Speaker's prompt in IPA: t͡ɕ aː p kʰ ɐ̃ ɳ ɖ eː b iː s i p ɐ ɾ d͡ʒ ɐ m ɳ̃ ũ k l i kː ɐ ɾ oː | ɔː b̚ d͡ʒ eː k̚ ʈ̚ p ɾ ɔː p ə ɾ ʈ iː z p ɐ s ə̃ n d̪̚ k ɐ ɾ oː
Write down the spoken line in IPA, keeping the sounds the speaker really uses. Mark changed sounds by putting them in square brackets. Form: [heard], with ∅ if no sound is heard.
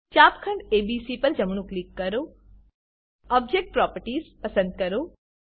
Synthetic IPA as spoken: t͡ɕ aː p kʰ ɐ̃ ɳ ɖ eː b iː s i p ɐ ɾ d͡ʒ ɐ m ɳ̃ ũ k l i kː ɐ ɾ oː | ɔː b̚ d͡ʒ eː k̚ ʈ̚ p ɾ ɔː p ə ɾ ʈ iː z p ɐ s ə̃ n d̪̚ k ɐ ɾ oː